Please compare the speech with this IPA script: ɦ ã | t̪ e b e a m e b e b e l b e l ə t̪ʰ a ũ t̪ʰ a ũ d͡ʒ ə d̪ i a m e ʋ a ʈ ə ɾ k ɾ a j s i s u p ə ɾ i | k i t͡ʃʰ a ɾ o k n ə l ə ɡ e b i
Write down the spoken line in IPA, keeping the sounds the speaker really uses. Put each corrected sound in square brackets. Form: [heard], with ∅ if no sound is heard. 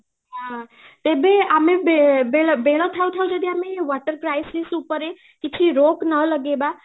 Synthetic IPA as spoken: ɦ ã | t̪ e b e a m e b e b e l b e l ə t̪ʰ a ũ t̪ʰ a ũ d͡ʒ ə d̪ i a m e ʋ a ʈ ə ɾ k ɾ a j s i s u p ə ɾ [e] | k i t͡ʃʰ [i] ɾ o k n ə l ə ɡ e b [a]